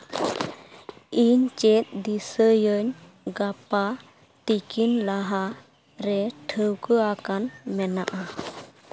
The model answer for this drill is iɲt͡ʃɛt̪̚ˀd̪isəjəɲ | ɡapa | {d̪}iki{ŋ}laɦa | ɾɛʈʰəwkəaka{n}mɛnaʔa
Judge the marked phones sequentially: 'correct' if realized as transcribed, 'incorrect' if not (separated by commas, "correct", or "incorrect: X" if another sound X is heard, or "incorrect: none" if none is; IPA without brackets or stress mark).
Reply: incorrect: t̪, incorrect: n, correct